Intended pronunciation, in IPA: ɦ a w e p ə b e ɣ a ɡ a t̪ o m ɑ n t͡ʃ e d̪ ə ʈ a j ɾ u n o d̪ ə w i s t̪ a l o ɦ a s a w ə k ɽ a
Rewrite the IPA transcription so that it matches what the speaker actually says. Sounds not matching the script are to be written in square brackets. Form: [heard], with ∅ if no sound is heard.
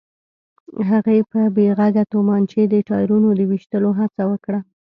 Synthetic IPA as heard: ɦ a [ɣ] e p ə b e ɣ a ɡ a t̪ o m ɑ n t͡ʃ e d̪ ə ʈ [ɑ] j ɾ u n o d̪ ə w i [ʃ] t̪ [ə] l o ɦ a [t͡s] a w ə k ɽ a